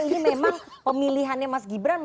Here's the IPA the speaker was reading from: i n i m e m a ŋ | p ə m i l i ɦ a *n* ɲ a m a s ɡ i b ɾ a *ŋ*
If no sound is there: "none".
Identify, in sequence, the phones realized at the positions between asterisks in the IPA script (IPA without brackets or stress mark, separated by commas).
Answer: n, n